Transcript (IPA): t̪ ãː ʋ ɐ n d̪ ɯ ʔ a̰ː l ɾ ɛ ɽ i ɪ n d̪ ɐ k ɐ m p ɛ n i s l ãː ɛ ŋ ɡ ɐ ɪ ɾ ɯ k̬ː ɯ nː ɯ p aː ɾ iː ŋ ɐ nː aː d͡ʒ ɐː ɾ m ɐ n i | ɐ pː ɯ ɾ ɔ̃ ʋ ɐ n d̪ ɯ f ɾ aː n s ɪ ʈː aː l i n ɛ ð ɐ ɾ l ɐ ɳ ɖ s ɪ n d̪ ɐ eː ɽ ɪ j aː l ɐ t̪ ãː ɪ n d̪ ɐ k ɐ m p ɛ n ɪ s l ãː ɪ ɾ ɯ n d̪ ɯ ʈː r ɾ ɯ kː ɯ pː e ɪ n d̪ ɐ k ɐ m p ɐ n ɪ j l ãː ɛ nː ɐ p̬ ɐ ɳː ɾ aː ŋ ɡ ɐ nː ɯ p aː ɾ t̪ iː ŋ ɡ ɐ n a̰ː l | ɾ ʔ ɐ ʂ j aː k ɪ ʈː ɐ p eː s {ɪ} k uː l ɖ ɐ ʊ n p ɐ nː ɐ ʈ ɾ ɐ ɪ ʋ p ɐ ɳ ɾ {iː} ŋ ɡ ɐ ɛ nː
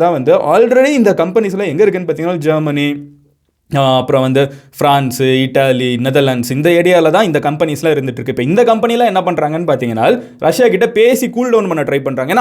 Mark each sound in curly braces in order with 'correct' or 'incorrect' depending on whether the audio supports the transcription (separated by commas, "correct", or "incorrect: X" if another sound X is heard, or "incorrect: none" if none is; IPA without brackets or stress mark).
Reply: incorrect: i, incorrect: aː